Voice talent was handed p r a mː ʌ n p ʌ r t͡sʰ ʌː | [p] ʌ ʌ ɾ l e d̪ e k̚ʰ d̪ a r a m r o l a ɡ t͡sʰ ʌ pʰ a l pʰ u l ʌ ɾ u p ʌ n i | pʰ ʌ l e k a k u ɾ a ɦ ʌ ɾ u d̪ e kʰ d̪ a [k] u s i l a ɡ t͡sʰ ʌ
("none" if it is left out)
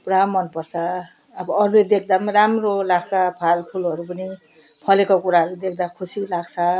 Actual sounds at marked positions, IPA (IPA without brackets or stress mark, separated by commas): b, kʰ